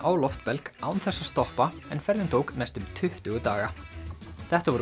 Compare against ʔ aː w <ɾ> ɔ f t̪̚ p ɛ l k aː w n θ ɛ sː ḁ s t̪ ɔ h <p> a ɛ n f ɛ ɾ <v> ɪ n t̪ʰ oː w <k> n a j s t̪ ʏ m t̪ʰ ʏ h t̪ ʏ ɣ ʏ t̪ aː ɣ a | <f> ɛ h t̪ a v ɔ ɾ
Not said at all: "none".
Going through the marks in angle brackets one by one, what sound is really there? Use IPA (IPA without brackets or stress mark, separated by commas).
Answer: l, p, ð, k, θ